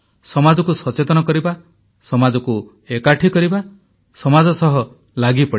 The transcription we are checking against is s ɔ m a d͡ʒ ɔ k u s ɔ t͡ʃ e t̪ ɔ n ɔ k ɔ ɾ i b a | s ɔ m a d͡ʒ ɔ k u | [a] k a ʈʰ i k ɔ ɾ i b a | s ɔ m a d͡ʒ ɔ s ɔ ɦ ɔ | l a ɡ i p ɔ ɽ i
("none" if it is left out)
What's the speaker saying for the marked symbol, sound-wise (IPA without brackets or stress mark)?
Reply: e